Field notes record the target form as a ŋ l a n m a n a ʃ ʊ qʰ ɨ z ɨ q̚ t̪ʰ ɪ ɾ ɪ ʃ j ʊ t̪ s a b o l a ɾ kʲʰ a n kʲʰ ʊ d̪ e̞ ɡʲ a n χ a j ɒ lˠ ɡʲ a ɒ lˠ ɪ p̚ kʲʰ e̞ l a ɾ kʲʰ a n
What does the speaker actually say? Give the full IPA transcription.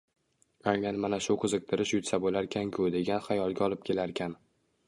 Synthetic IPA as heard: a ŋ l a n m a n a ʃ ʊ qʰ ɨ z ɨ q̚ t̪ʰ ɪ ɾ ɪ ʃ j ʊ t̪ s a b o l a ɾ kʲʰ a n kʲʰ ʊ d̪ e̞ ɡʲ a n χ a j ɒ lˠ ɡʲ a ɒ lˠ ɪ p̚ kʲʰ e̞ l a ɾ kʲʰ a n

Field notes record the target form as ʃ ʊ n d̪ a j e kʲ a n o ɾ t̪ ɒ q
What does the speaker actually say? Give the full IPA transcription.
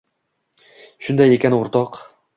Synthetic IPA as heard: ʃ ʊ n d̪ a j e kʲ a n o ɾ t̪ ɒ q

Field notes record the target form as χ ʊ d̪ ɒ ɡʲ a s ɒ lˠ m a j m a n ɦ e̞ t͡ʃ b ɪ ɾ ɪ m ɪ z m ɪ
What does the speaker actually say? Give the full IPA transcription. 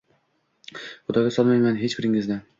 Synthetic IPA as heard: χ ʊ d̪ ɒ ɡʲ a s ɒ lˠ m a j m a n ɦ e̞ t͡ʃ b ɪ ɾ ɪ ŋ ɪ z n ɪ

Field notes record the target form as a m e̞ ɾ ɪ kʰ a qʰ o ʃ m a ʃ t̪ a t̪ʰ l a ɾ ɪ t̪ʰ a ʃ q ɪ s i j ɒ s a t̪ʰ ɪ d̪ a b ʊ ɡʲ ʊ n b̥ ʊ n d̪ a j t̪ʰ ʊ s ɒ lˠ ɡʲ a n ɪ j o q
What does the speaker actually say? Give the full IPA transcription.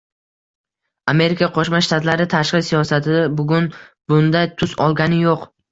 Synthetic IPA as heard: a m e̞ ɾ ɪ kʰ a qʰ o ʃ m a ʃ t̪ a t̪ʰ l a ɾ ɪ t̪ʰ a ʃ q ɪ s i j ɒ s a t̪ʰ ɪ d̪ a b ʊ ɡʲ ʊ n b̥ ʊ n d̪ a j t̪ʰ ʊ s ɒ lˠ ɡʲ a n ɪ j o q

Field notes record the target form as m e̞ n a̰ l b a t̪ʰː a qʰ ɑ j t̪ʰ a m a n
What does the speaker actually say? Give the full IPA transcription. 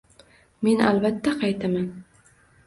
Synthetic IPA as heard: m e̞ n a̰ l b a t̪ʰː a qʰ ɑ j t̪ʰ a m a n

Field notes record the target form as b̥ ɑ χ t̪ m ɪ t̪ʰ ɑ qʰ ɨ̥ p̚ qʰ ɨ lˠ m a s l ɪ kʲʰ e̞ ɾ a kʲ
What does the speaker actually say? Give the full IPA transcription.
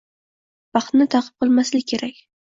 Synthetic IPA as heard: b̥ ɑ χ t̪ n ɪ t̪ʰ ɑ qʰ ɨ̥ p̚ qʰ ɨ lˠ m a s l ɪ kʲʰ e̞ ɾ a kʲ

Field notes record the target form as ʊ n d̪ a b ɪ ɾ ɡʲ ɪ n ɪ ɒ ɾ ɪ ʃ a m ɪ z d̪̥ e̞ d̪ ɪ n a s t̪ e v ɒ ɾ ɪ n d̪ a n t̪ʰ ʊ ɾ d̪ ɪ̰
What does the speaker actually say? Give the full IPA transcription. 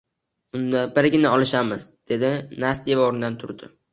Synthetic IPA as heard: ʊ n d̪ a b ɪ ɾ ɡʲ ɪ n ɪ ɒ l ɪ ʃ a m ɪ z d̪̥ e̞ d̪ ɪ n a s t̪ e v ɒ ɾ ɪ n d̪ a n t̪ʰ ʊ ɾ d̪ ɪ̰

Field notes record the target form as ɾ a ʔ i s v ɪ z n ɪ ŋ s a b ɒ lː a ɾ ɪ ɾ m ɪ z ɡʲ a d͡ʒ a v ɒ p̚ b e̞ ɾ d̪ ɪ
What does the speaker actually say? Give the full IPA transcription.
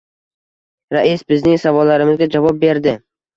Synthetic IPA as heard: ɾ a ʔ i s b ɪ z n ɪ ŋ s a v ɒ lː a ɾ ɪ m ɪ z ɡʲ a d͡ʒ a v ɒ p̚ b e̞ ɾ d̪ ɪ

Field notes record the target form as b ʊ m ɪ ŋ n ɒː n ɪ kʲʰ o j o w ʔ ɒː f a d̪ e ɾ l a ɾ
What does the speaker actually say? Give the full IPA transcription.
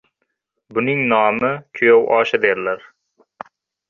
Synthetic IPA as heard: b ʊ n ɪ ŋ n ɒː m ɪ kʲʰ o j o w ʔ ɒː ʃ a d̪ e ɾ l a ɾ

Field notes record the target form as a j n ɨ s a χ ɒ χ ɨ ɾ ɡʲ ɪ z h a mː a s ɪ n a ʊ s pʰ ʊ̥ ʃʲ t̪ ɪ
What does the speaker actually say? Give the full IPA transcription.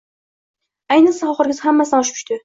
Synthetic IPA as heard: a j n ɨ s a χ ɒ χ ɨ ɾ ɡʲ ɪ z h a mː a s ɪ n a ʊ ʃ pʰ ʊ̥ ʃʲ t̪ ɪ

